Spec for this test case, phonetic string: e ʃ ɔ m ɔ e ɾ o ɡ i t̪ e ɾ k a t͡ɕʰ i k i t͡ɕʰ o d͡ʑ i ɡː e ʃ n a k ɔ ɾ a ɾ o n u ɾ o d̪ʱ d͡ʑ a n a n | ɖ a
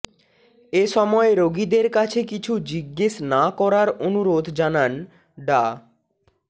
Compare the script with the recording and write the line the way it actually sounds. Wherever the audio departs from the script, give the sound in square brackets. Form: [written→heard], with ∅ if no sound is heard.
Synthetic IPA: e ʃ ɔ m ɔ e ɾ o ɡ i [t̪→d̪] e ɾ k a t͡ɕʰ [i→e] k i t͡ɕʰ [o→u] d͡ʑ i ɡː e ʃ n a k ɔ ɾ a ɾ o n u ɾ o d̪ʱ d͡ʑ a n a n | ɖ a